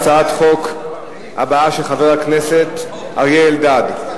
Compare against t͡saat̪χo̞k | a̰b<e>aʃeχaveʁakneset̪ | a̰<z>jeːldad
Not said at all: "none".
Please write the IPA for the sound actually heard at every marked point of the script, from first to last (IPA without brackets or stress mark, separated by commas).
a, ʁ